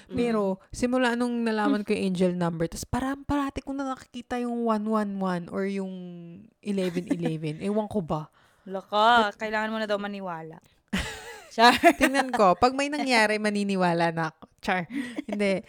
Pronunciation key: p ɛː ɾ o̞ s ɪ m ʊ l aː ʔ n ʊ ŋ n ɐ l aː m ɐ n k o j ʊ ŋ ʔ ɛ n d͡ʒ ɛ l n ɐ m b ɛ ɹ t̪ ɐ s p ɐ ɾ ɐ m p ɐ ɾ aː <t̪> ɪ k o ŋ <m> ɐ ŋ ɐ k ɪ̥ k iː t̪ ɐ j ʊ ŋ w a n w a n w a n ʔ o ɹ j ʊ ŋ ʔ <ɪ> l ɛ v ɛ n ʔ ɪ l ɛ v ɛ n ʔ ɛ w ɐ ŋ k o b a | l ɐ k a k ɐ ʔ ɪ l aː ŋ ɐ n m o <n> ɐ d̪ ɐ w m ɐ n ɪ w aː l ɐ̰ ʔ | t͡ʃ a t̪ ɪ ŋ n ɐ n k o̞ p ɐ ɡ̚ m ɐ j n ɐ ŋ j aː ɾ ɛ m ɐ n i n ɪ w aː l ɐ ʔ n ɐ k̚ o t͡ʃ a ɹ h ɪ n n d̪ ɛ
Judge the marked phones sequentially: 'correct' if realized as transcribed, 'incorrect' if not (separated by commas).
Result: correct, incorrect, correct, correct